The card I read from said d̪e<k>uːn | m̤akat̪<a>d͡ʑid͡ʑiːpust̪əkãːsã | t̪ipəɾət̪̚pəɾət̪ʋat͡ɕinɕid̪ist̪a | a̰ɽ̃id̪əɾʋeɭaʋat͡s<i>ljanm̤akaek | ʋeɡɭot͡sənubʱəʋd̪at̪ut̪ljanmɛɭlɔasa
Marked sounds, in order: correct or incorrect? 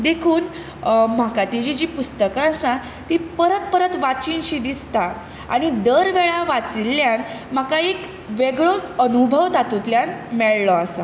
incorrect, incorrect, correct

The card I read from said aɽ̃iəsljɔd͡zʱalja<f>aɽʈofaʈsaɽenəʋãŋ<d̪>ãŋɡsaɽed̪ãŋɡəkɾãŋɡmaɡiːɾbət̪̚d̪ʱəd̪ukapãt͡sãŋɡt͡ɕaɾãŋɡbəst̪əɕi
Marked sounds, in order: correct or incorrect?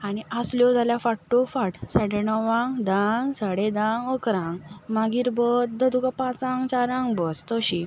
correct, correct

